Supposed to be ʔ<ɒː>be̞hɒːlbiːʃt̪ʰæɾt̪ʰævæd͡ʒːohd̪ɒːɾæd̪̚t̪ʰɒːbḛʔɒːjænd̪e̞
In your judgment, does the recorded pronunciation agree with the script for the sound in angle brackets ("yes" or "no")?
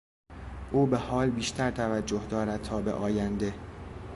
no